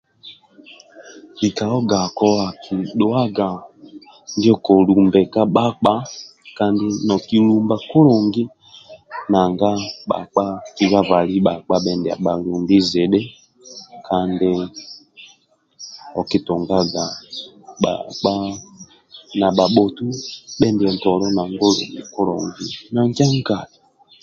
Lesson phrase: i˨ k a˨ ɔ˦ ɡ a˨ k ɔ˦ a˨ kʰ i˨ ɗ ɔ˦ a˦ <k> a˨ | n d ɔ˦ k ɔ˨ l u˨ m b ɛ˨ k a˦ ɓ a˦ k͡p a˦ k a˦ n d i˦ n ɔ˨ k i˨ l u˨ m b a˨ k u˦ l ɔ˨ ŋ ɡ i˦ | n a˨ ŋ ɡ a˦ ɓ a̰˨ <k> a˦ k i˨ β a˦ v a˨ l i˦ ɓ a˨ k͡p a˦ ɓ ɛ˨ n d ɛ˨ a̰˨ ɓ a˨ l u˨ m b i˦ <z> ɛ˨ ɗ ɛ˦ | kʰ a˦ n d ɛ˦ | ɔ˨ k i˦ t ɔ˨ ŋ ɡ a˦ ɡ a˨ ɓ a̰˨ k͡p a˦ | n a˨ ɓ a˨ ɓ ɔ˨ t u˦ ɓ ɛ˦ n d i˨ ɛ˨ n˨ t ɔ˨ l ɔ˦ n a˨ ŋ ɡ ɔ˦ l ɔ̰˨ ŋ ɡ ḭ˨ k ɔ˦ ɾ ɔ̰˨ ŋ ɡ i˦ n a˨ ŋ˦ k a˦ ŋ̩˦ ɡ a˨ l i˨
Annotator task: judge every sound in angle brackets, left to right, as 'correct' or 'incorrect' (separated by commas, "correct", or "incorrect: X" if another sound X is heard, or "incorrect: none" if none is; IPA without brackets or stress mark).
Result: incorrect: ɡ, incorrect: k͡p, correct